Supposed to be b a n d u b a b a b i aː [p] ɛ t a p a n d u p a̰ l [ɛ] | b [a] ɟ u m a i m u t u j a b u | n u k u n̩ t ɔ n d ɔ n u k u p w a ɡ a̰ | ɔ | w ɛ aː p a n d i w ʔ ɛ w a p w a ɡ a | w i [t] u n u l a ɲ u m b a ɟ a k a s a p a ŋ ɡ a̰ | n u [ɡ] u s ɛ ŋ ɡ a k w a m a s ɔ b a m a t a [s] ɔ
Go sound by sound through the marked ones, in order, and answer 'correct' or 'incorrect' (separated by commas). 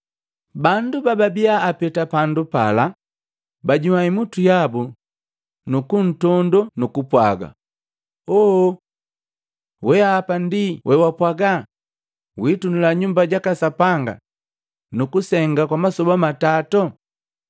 correct, incorrect, correct, correct, incorrect, incorrect